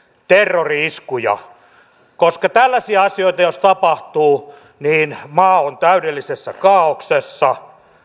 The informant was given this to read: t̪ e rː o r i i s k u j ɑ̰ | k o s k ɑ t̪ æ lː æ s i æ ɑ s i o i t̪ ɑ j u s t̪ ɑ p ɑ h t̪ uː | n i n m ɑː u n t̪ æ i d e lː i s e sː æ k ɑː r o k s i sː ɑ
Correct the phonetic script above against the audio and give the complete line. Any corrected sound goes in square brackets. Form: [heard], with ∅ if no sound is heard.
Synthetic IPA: t̪ e rː o r i i s k u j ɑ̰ | k o s k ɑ t̪ æ lː æ s i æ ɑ s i o i t̪ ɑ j [o] s t̪ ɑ p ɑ h t̪ uː | n [iː] n m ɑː [o] n t̪ æ [y] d e lː i s e sː æ k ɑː [∅] o k s [e] sː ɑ